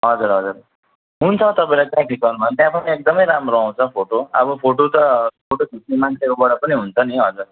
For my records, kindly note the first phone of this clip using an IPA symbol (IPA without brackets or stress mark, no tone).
ɦ